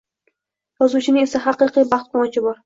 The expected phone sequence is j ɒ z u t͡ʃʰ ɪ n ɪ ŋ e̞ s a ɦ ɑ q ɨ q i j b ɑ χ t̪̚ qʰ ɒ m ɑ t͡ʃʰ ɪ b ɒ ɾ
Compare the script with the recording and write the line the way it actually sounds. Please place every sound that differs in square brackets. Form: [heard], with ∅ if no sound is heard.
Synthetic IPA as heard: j ɒ z u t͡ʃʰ ɪ n ɪ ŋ e̞ s a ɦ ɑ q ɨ q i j b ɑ χ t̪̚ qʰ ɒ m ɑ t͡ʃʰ ɪ b ɒ ɾ